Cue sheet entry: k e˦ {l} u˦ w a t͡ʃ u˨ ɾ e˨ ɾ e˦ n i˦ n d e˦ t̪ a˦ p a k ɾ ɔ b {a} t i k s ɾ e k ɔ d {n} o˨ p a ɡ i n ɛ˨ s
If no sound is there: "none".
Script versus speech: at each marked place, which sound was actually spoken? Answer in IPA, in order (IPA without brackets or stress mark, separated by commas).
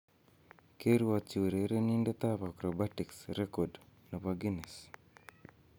ɾ, a, n